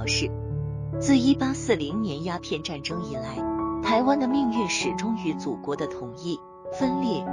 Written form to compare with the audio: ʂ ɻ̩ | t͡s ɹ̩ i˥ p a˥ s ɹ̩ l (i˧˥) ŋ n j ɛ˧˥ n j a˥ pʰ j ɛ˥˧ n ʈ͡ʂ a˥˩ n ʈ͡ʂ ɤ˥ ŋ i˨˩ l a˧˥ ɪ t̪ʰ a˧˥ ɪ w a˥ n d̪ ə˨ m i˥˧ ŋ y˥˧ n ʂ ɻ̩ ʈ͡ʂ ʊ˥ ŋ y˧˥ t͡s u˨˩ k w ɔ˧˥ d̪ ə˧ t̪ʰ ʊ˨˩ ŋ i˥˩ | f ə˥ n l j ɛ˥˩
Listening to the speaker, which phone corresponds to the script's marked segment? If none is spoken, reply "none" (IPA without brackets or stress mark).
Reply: i˧˥